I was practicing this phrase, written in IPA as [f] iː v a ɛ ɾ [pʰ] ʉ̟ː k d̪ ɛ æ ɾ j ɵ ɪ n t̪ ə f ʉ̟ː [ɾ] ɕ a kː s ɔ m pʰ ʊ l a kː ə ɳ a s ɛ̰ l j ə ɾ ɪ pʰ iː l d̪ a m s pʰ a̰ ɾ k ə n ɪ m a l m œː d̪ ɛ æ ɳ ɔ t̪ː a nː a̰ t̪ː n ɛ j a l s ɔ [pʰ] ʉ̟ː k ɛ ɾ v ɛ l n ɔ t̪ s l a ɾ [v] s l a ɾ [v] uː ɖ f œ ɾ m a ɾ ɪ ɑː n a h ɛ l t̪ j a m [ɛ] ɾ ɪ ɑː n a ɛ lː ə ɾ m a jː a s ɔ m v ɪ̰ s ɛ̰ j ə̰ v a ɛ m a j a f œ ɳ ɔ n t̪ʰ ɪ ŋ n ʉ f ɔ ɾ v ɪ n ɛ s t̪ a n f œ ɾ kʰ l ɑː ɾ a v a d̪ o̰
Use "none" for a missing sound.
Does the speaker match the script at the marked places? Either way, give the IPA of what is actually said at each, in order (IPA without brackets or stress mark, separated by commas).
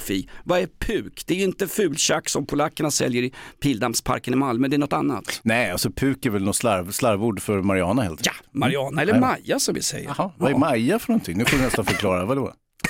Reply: f, pʰ, l, pʰ, v, v, a